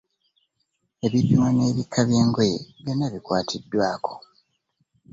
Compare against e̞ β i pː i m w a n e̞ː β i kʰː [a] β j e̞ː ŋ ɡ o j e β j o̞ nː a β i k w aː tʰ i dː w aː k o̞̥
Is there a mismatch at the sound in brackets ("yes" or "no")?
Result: no